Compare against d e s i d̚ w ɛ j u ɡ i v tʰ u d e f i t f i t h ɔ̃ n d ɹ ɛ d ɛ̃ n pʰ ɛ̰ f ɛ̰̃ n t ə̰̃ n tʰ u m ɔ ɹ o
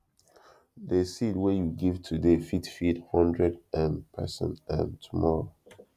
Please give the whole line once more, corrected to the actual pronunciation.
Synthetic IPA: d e s i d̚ w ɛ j u ɡ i v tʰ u d e f i t f i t h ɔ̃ n d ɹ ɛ d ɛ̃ n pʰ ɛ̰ s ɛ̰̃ n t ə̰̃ n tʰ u m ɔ ɹ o